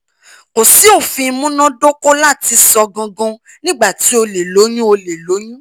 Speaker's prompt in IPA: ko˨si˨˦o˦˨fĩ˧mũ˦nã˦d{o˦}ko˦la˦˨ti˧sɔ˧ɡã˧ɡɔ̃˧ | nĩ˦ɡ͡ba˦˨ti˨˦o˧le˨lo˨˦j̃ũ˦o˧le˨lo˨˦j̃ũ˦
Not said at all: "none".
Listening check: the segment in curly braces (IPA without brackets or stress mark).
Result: o˦